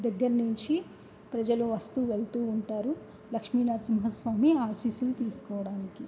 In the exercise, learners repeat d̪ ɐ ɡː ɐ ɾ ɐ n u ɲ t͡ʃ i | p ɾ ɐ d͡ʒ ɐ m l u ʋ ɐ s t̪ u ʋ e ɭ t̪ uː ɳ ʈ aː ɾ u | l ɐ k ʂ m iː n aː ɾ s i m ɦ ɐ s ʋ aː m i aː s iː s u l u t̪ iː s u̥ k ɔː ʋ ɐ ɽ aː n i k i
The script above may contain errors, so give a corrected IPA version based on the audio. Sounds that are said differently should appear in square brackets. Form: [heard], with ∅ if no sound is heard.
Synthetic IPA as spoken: d̪ ɐ ɡː ɐ ɾ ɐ n u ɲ t͡ʃ i | p ɾ ɐ d͡ʒ ɐ [∅] l u ʋ ɐ s t̪ u ʋ e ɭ t̪ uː ɳ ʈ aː ɾ u | l ɐ k ʂ m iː n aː ɾ s i m ɦ ɐ s ʋ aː m i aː s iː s u l u t̪ iː s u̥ k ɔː ʋ ɐ ɽ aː n i k i